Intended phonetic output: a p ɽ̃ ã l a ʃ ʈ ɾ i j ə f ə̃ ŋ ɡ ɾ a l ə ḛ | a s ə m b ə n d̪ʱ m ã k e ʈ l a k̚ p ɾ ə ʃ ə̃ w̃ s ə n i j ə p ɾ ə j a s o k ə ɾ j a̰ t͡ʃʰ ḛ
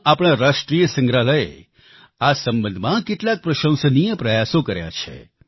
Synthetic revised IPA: a p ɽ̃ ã ɾ a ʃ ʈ ɾ i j ə s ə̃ ŋ ɡ ɾ a l ə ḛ | a s ə m b ə n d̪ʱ m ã k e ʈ l a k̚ p ɾ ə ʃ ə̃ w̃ s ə n i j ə p ɾ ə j a s o k ə ɾ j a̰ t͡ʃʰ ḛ